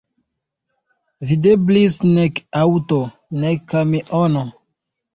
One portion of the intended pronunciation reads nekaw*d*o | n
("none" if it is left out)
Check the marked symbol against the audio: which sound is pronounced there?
t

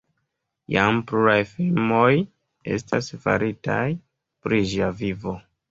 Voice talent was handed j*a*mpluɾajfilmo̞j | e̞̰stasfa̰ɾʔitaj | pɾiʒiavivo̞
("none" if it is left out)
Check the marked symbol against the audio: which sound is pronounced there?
a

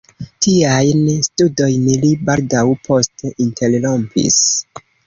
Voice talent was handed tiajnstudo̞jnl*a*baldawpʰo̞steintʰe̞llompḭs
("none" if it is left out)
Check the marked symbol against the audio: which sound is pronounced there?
i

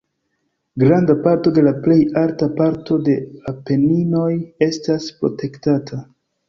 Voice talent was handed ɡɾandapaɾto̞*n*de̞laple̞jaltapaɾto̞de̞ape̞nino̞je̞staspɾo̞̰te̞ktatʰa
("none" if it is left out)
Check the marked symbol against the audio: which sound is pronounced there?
none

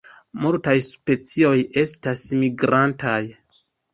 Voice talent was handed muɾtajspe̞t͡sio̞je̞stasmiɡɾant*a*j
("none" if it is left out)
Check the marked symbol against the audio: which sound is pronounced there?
a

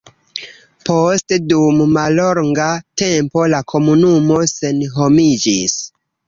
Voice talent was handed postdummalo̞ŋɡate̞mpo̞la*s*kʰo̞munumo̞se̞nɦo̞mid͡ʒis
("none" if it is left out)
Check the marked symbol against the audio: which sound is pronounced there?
none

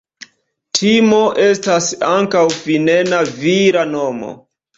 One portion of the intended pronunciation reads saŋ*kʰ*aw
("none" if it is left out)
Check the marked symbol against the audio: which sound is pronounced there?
k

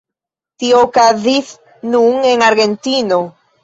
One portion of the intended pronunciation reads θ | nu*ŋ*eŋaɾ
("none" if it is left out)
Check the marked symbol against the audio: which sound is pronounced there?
ŋ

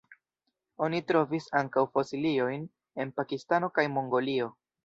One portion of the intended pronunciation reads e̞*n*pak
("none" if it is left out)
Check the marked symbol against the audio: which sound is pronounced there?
n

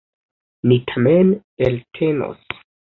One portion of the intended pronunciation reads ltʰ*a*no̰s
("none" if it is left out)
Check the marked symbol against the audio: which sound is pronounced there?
e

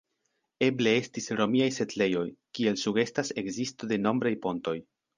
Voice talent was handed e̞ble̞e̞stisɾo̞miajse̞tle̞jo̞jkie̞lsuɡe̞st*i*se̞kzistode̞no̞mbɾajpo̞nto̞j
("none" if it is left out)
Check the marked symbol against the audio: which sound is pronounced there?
a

